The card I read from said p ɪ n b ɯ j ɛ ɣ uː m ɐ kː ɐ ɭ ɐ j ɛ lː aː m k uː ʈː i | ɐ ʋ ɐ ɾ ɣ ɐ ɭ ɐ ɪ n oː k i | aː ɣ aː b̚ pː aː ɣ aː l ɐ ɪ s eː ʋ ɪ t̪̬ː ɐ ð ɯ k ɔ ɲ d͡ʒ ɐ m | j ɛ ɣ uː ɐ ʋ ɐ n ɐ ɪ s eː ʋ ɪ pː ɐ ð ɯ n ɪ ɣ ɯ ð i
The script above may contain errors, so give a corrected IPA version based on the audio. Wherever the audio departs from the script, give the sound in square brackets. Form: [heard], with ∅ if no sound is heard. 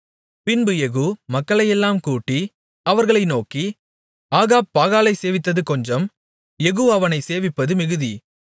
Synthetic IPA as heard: p ɪ n b ɯ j ɛ ɣ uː m ɐ kː ɐ ɭ ɐ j ɛ lː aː m k uː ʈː i | ɐ ʋ ɐ ɾ ɣ ɐ ɭ ɐ ɪ n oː k i | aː ɣ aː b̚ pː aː ɣ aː l ɐ ɪ s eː ʋ ɪ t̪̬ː ɐ ð ɯ k ɔ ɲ d͡ʒ ɐ m | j ɛ ɣ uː ɐ ʋ ɐ n ɐ ɪ s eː ʋ ɪ pː ɐ ð ɯ [m] ɪ ɣ ɯ ð i